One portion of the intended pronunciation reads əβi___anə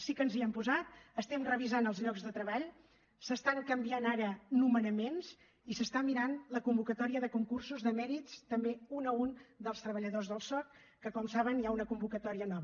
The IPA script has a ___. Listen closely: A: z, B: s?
A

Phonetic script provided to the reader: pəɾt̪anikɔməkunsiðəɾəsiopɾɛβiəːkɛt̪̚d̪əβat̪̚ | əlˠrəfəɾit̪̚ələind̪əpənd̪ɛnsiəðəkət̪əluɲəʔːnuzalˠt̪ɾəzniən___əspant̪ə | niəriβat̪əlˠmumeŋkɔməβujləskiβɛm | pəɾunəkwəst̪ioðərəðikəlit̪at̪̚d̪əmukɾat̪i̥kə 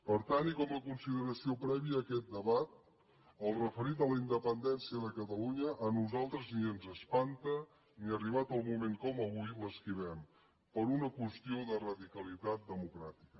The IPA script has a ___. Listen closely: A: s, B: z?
B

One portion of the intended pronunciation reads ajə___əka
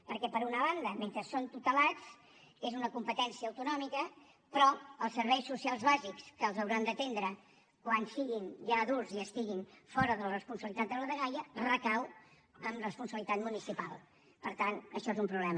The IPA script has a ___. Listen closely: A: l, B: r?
B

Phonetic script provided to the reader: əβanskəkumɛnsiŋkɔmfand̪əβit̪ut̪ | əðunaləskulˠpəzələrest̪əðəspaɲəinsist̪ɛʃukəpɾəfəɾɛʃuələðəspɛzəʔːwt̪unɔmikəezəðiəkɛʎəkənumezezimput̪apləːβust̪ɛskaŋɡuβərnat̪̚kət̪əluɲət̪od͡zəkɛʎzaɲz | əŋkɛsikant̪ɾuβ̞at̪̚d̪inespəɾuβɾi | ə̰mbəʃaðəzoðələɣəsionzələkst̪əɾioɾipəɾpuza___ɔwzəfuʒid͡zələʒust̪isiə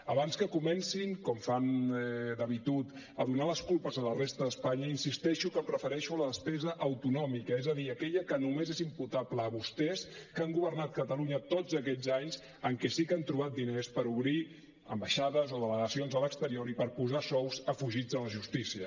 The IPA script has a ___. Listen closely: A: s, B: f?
A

